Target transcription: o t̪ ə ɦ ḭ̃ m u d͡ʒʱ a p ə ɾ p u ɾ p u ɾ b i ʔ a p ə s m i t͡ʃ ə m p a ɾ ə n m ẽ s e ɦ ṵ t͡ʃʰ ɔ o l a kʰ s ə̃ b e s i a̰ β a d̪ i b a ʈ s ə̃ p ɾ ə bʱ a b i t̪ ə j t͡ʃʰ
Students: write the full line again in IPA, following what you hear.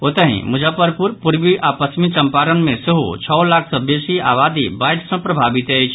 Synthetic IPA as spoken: o t̪ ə ɦ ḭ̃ m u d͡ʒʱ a p ə ɾ p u ɾ p u ɾ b i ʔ a p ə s m i t͡ʃ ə m p a ɾ ə n m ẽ s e ɦ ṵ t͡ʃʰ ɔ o l a kʰ s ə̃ b e s i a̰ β a d̪ i b a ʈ s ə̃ p ɾ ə bʱ a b i t̪ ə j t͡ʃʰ